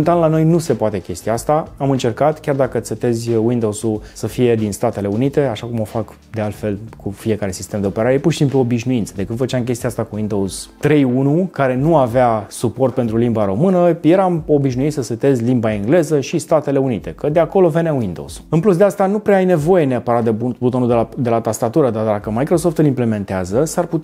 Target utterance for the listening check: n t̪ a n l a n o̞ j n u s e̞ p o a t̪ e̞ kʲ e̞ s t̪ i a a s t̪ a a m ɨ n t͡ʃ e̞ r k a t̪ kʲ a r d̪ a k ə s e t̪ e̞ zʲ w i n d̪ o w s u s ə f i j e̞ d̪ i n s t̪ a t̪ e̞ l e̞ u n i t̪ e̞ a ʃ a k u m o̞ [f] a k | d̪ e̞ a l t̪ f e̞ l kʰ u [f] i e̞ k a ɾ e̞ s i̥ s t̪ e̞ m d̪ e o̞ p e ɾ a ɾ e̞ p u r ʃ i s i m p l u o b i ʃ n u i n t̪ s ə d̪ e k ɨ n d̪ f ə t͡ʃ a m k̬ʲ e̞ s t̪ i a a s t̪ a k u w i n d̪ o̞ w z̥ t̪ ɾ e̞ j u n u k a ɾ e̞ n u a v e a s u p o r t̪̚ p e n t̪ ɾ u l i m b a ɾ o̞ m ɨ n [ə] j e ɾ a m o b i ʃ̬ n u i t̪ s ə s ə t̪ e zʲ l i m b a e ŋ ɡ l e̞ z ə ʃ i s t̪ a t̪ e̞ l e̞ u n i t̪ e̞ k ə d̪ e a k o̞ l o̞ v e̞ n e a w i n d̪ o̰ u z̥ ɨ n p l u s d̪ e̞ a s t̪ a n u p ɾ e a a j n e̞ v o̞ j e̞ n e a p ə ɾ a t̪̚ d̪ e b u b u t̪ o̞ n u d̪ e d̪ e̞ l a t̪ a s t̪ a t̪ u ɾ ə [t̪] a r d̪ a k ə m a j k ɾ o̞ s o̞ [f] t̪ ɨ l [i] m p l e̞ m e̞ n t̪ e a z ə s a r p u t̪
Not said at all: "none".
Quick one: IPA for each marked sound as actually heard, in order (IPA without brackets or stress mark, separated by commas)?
f, f, ə, d̪, f, i